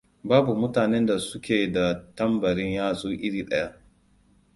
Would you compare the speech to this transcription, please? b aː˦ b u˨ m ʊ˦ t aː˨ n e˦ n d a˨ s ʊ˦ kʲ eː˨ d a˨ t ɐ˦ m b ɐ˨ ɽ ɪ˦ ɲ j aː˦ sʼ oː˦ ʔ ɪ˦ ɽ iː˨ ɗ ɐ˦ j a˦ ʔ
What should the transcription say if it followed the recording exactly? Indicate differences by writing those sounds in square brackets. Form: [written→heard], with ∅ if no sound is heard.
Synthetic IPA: b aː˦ b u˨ m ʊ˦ t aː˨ n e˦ n d a˨ s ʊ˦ kʲ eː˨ d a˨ t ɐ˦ m b ɐ˨ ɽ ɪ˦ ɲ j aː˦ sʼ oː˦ ʔ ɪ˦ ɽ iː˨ ɗ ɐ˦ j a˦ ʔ